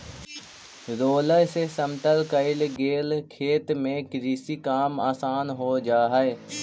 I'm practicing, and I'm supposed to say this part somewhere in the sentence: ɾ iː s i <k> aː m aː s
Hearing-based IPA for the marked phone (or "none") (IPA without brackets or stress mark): k